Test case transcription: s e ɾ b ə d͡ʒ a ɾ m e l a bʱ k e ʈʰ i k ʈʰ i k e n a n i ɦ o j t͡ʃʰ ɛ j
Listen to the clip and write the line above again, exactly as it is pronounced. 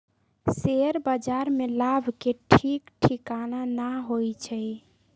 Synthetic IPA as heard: s e ɾ b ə d͡ʒ a ɾ m e l a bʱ k e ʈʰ i k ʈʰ i k a n a n a ɦ o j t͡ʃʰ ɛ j